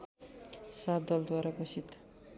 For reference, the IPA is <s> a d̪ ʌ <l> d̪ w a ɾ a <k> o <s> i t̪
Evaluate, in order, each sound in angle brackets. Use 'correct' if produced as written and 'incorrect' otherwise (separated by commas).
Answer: correct, correct, incorrect, correct